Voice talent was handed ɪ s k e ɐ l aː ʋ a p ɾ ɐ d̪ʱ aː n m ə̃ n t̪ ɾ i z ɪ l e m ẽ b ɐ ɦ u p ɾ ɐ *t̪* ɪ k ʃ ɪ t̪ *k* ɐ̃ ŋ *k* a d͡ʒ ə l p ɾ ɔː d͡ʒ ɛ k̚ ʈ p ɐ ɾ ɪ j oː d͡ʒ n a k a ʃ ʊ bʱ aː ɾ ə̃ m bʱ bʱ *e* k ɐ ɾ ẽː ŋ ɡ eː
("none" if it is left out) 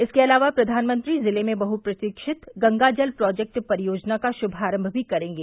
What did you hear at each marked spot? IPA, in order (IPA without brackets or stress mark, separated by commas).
t̪, ɡ, ɡ, i